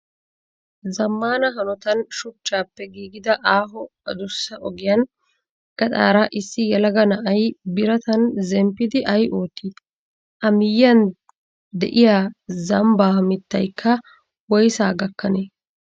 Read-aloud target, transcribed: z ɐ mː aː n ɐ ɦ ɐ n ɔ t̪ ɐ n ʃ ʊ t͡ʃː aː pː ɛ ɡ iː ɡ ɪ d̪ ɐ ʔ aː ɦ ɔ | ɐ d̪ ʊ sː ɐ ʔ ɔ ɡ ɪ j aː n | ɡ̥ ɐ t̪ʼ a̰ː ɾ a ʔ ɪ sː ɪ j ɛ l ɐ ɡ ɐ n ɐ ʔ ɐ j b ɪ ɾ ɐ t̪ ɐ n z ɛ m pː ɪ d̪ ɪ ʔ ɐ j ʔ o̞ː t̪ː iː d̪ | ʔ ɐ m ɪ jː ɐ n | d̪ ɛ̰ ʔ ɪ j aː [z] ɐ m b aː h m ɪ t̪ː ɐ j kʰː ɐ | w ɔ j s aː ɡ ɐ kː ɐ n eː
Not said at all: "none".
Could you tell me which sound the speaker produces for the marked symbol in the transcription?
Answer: z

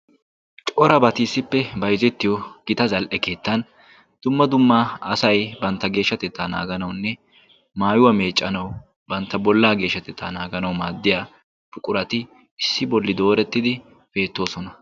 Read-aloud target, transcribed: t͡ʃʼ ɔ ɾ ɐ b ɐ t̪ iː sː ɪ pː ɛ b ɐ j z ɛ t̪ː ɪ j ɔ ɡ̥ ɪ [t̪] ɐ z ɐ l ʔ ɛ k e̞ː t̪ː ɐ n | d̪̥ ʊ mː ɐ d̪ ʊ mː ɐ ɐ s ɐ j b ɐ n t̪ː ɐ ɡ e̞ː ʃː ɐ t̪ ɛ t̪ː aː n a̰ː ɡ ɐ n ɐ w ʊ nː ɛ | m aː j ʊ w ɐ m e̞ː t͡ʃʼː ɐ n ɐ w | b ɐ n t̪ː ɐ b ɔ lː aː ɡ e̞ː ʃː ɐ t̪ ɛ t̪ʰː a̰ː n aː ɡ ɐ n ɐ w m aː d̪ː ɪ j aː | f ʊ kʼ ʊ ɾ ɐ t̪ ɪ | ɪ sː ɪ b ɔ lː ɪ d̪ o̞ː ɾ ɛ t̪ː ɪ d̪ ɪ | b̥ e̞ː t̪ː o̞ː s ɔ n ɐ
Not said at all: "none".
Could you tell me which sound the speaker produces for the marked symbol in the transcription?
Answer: t̪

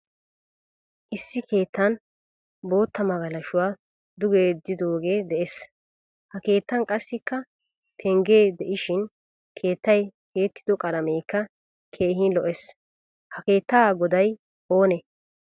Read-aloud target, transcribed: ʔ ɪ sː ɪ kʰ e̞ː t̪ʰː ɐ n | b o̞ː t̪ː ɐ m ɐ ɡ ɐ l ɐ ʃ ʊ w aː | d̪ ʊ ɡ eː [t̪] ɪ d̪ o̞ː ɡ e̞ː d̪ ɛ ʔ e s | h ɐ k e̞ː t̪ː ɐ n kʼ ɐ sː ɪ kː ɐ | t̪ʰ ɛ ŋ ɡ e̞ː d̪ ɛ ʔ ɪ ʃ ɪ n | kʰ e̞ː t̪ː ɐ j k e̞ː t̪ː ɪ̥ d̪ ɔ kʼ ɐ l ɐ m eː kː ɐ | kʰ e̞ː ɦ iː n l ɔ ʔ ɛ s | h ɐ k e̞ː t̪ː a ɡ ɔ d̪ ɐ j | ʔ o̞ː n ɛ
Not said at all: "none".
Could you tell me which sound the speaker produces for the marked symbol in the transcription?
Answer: d̪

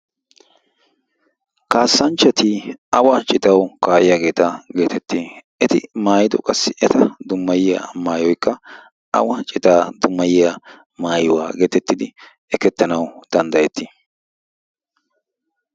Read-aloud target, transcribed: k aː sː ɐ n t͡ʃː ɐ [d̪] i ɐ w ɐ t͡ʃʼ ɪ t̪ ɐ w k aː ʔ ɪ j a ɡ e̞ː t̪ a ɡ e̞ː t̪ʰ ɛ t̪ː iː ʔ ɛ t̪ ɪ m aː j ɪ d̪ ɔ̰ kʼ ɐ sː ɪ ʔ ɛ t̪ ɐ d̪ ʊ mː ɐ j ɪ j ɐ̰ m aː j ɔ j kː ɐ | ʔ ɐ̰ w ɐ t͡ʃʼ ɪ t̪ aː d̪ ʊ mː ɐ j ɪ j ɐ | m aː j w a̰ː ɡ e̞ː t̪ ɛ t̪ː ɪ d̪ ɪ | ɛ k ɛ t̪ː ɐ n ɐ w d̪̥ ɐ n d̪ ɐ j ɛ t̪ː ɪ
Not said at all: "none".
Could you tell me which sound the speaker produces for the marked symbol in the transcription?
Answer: t̪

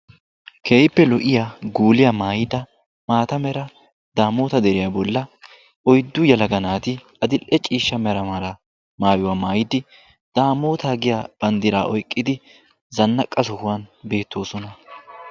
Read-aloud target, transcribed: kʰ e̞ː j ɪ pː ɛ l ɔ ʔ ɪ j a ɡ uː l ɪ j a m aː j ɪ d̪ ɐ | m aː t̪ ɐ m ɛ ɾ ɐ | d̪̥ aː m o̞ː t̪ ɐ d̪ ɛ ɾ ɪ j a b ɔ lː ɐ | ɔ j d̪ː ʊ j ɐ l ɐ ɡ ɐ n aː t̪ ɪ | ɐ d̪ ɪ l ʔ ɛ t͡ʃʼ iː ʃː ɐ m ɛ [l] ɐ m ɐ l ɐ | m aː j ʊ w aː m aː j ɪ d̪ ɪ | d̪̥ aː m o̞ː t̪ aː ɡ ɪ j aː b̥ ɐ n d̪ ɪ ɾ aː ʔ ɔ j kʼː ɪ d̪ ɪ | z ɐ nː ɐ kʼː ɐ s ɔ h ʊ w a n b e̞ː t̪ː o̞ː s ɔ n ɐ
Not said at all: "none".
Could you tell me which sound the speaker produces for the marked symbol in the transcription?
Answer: ɾ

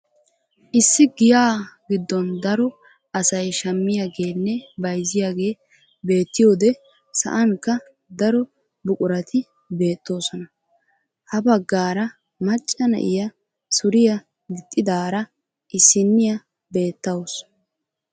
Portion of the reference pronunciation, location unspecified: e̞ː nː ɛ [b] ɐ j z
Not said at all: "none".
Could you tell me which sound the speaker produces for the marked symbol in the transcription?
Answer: b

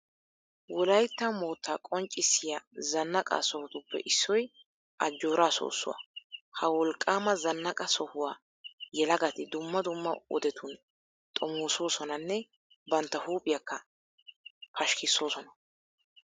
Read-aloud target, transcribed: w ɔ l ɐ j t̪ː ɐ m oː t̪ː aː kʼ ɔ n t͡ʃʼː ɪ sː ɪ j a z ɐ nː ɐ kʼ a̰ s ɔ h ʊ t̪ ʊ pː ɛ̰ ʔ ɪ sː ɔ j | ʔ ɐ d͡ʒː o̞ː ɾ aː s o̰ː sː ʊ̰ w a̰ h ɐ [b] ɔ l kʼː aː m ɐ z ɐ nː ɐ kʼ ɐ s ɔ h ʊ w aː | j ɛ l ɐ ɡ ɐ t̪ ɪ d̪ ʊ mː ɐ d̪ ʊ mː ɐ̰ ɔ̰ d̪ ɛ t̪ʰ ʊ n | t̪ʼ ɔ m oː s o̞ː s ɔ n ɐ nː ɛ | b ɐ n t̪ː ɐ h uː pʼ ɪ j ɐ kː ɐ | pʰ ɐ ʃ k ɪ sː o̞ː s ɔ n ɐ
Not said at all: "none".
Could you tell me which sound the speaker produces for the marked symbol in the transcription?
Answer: w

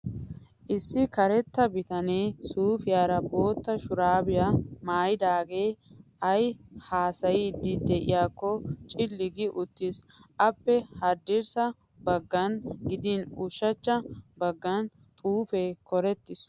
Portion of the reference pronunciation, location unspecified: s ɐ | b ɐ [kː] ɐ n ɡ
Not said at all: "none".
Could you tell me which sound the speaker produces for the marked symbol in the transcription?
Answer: ɡː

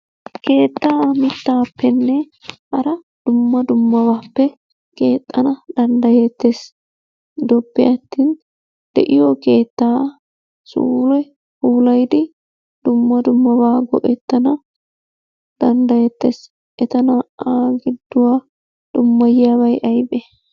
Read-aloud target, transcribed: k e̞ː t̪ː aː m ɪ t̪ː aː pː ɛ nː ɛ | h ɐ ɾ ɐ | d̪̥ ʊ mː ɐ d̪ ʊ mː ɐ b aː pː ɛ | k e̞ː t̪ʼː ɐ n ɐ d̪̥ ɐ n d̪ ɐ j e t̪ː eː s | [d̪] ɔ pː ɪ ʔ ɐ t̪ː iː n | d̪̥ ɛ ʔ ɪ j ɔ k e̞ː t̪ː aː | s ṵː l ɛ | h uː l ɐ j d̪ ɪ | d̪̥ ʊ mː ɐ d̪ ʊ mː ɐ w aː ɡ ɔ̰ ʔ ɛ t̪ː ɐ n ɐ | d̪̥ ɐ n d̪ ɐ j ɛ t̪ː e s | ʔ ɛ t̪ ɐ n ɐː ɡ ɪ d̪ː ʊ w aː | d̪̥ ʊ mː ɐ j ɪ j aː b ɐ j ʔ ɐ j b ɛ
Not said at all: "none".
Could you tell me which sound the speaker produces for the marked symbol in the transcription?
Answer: d̪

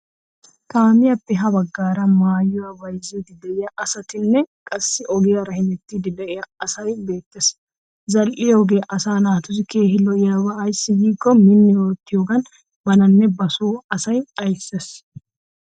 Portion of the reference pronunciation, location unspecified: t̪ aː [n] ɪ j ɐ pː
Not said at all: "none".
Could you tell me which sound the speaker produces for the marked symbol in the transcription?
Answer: m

